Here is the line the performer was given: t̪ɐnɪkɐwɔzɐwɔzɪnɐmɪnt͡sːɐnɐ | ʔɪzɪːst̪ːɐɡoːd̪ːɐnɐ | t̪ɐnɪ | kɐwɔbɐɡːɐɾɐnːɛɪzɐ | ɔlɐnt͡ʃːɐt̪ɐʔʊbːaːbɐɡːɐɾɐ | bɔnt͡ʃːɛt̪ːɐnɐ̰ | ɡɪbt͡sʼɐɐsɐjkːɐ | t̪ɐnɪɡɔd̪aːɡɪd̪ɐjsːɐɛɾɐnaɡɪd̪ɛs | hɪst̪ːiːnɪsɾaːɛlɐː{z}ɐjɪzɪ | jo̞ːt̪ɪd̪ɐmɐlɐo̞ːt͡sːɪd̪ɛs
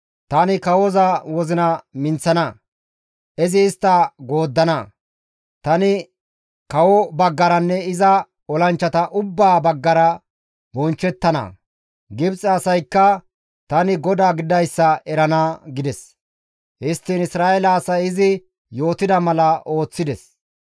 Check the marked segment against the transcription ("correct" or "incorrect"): incorrect